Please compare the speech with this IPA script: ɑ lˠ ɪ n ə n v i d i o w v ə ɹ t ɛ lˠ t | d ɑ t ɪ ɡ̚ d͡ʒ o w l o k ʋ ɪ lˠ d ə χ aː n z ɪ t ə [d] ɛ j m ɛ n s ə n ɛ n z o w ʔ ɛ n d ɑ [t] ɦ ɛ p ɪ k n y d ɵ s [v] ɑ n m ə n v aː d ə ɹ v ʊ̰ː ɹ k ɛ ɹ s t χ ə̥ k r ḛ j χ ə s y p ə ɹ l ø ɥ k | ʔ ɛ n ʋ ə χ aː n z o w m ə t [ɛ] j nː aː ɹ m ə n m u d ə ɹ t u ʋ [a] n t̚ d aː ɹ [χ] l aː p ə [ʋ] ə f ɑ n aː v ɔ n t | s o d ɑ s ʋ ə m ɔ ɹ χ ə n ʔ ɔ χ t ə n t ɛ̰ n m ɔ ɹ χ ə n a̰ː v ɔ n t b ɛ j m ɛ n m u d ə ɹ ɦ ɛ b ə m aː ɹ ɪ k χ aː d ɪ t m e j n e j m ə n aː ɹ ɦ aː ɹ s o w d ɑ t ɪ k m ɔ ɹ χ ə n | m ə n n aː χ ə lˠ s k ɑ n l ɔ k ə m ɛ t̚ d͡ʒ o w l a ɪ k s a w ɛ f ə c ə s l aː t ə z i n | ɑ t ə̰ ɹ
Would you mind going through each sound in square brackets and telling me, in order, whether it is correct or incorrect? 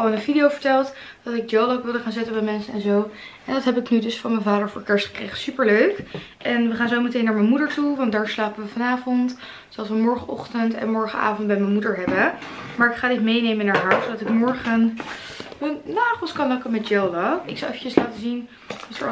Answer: incorrect, correct, incorrect, incorrect, incorrect, incorrect, correct

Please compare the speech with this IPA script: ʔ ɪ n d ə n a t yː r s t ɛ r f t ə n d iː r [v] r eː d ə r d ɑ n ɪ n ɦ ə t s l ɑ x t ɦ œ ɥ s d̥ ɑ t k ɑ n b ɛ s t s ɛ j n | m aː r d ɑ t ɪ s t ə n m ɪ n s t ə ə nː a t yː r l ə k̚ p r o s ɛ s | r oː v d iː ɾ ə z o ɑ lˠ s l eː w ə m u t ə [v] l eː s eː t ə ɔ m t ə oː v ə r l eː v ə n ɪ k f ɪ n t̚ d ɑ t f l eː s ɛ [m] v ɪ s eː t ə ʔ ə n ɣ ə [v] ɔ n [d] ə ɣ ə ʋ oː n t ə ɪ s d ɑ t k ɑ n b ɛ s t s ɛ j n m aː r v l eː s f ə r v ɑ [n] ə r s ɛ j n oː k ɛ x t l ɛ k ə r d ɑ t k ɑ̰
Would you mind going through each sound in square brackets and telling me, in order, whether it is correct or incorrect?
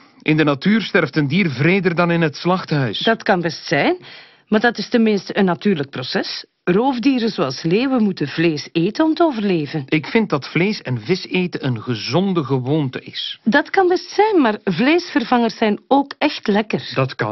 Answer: correct, correct, incorrect, incorrect, correct, incorrect

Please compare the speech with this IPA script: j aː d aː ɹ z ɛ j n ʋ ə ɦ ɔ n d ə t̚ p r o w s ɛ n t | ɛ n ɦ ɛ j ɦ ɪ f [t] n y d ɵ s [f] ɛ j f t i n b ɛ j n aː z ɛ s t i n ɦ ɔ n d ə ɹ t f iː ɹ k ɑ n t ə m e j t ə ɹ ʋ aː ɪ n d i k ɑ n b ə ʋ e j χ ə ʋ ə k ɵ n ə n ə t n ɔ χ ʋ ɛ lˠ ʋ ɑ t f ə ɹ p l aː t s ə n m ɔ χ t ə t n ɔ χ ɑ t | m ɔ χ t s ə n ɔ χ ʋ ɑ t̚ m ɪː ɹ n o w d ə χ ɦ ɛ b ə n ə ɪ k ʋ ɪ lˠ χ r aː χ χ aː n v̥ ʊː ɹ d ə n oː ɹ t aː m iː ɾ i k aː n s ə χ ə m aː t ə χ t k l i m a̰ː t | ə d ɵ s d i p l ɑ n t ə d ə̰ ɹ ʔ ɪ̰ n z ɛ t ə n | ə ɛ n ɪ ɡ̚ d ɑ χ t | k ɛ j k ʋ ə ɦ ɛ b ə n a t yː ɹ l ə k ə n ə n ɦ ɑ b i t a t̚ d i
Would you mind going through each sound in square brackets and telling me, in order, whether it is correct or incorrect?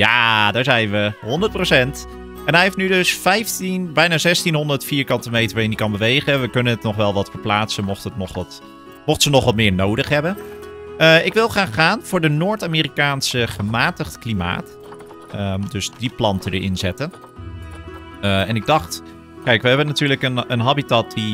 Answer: correct, correct

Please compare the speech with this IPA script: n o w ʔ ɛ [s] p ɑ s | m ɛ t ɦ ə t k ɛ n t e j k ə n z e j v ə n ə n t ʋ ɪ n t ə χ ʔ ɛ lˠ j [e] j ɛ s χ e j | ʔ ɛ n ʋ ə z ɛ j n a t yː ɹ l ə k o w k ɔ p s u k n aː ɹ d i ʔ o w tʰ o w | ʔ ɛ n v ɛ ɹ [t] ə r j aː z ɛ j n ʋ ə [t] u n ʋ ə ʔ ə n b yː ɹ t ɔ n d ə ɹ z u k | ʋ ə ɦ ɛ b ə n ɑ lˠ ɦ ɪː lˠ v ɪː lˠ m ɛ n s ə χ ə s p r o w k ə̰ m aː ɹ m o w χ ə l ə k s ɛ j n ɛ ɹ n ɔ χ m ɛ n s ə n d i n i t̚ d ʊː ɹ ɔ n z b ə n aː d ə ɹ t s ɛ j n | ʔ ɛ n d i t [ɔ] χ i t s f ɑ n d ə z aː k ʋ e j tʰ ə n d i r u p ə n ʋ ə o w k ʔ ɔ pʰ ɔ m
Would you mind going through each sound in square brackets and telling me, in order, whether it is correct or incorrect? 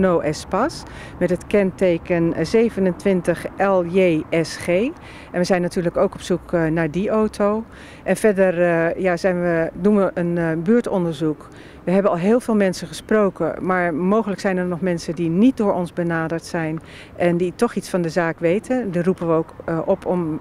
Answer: correct, correct, incorrect, incorrect, correct

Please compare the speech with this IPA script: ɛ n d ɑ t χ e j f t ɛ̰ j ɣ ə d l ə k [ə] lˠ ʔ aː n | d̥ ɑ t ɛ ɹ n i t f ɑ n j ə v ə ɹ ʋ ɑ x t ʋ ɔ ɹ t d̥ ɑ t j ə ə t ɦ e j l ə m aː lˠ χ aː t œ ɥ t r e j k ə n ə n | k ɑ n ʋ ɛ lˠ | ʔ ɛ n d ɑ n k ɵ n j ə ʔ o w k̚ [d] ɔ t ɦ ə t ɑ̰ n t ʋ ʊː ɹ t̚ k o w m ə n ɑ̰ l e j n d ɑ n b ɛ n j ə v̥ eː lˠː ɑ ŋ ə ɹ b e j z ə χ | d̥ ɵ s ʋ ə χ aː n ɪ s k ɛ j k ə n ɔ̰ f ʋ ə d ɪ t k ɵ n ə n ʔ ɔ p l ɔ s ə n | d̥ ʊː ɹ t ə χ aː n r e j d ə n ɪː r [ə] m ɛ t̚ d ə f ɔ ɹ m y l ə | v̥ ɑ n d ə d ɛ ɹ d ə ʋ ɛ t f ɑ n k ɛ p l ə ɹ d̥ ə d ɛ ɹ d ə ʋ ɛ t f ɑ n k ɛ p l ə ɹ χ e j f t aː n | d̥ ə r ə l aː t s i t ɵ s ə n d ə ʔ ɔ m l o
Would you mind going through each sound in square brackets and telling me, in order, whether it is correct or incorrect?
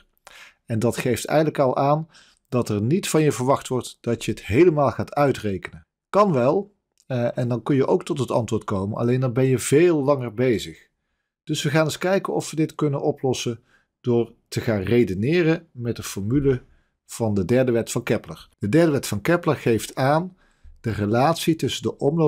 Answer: incorrect, incorrect, correct

